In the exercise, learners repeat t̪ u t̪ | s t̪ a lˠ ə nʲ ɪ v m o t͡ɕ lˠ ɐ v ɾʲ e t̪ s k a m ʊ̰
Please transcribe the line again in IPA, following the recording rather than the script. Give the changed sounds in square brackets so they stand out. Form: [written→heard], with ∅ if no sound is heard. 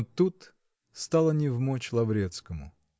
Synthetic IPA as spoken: t̪ u t̪ | s t̪ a lˠ ə nʲ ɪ v m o t͡ɕ lˠ ɐ v ɾʲ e t̪ s k [a→ə] m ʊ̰

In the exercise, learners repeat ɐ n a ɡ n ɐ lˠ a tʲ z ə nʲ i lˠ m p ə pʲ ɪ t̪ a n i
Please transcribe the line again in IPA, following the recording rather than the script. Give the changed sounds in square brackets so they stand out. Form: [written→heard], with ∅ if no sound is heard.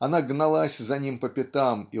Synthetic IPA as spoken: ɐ n a ɡ n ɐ lˠ a [tʲ→sʲ] z [ə→ɐ] nʲ i [lˠ→∅] m p ə pʲ ɪ t̪ a [n→m] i

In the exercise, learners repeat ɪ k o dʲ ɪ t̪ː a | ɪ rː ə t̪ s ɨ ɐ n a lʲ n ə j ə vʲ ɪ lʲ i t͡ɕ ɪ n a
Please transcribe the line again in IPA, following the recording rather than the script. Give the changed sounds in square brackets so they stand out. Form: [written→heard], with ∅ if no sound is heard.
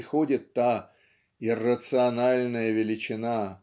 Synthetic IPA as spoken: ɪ [k→x] o dʲ ɪ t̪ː a | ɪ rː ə t̪ s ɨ ɐ n a lʲ n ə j ə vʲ ɪ lʲ [i→ɪ] t͡ɕ ɪ n a

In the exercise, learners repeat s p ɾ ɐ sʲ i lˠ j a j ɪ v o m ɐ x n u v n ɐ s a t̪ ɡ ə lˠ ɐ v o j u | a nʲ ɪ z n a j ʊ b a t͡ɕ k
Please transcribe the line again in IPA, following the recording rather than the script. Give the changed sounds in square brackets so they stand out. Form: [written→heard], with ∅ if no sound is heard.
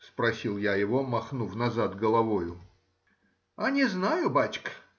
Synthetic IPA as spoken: s p ɾ ɐ sʲ i lˠ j a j ɪ v o m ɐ x n u [v→f] n ɐ [s→z] a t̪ ɡ ə lˠ ɐ v o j [u→ʊ] | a nʲ ɪ z n a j ʊ b a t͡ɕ k

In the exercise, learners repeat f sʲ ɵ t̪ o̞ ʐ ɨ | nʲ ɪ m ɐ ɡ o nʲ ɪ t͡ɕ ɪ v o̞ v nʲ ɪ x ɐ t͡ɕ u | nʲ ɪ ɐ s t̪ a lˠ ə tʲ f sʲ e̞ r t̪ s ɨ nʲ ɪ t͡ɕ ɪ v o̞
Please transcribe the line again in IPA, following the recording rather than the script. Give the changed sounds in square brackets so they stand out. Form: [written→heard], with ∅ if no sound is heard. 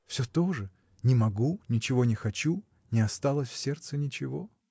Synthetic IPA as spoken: f sʲ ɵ t̪ o̞ ʐ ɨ | nʲ ɪ m ɐ ɡ [o→u] nʲ ɪ t͡ɕ ɪ v o̞ [v→∅] nʲ ɪ x ɐ t͡ɕ u | nʲ ɪ ɐ s t̪ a lˠ ə [tʲ→sʲ] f sʲ e̞ r t̪ s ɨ nʲ ɪ t͡ɕ ɪ v o̞

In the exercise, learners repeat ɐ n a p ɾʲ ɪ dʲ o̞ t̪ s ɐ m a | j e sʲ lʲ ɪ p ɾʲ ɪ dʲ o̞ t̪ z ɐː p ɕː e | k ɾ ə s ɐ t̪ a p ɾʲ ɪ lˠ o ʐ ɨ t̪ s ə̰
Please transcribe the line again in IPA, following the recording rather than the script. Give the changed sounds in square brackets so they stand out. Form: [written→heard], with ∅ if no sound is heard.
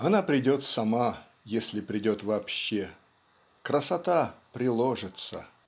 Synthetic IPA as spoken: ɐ n a p ɾʲ ɪ dʲ o̞ t̪ s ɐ m a | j e sʲ lʲ ɪ p ɾʲ ɪ dʲ o̞ t̪ [z→v] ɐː p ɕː e | k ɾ ə s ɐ t̪ a p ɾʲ ɪ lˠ o ʐ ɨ t̪ s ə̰

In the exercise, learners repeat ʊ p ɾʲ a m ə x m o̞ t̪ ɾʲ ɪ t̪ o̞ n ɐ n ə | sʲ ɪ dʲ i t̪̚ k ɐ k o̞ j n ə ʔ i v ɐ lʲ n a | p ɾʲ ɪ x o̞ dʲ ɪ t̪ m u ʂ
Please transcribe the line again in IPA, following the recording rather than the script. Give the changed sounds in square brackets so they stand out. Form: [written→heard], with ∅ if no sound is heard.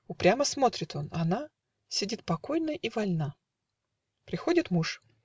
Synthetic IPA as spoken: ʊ p ɾʲ a m ə [x→s] m o̞ t̪ ɾʲ ɪ t̪ o̞ n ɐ n [ə→a] | sʲ ɪ dʲ i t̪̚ [k→p] ɐ k o̞ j n ə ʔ i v ɐ lʲ n a | p ɾʲ ɪ x o̞ dʲ ɪ t̪ m u ʂ

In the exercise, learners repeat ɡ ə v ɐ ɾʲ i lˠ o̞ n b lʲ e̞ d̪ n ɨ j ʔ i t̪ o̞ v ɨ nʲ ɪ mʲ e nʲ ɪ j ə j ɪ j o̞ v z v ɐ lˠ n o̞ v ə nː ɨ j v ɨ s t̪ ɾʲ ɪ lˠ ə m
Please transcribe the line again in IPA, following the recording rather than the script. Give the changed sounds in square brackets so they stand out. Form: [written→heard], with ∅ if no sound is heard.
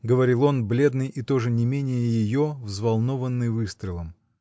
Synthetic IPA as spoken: ɡ ə v ɐ ɾʲ i lˠ o̞ n b lʲ e̞ d̪ n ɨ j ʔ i t̪ o̞ [v→ʐ] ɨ nʲ ɪ mʲ e nʲ ɪ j ə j ɪ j o̞ v z v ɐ lˠ n o̞ v ə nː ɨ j v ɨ s t̪ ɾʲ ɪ lˠ ə m

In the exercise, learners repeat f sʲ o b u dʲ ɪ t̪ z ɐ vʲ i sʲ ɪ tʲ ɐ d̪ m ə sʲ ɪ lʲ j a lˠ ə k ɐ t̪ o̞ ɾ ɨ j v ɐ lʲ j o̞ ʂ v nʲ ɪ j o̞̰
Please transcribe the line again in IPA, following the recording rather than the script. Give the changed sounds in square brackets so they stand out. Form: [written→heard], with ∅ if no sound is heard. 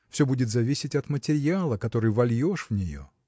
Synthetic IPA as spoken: f sʲ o b u dʲ ɪ t̪ z ɐ vʲ i sʲ ɪ tʲ ɐ [d̪→t̪] m ə [sʲ→tʲ] ɪ [lʲ→ɾʲ] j a lˠ ə k ɐ t̪ o̞ ɾ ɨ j v ɐ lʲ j o̞ ʂ v nʲ ɪ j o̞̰

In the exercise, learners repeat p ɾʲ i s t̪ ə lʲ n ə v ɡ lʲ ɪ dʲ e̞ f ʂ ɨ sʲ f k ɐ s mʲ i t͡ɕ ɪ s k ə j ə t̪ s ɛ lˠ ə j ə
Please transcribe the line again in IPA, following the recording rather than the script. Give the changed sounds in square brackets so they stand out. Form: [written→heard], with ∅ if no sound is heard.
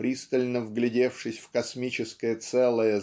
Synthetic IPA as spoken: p ɾʲ i s t̪ ə lʲ n ə v ɡ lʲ ɪ dʲ e̞ f ʂ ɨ sʲ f k ɐ s mʲ i t͡ɕ ɪ s k ə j ə t̪ s ɛ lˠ ə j ə

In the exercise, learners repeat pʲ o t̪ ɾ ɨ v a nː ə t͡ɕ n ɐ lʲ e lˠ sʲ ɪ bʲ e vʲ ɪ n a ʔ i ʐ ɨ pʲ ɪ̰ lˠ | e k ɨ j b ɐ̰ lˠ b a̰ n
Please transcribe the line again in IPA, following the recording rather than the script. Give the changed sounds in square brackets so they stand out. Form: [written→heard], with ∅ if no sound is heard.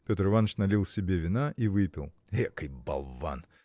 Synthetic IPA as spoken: pʲ o t̪ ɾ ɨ v a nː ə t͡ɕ n ɐ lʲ [e→i] lˠ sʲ ɪ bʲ e vʲ ɪ n a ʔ i [ʐ→v] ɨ pʲ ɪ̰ lˠ | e k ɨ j b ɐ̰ lˠ [b→v] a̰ n

